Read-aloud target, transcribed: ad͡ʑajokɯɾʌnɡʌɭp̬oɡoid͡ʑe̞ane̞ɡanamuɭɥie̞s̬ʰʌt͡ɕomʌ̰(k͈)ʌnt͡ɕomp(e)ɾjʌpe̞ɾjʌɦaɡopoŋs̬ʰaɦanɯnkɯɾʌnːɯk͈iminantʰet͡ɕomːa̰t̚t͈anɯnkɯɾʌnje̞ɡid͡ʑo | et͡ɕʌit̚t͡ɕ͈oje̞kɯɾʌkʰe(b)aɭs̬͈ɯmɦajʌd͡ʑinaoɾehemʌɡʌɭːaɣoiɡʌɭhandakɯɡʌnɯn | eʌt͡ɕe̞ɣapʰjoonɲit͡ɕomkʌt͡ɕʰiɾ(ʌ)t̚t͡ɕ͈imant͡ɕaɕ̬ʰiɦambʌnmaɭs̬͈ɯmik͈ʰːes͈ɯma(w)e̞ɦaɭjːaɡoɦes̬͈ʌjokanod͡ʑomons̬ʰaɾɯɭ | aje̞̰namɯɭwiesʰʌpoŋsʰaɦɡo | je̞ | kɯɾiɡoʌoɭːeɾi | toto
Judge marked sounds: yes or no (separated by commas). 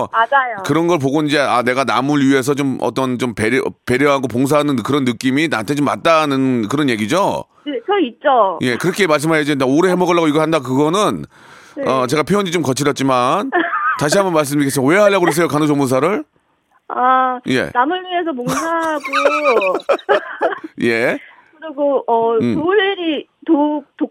no, yes, no, yes, yes